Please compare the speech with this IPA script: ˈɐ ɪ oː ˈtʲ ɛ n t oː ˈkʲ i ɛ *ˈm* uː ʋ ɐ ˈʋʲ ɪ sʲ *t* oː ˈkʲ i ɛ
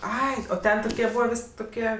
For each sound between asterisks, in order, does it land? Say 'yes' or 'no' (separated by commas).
no, yes